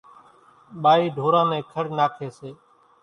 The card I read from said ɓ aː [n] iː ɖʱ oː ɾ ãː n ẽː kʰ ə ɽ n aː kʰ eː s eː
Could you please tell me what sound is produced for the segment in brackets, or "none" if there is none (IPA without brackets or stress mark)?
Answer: none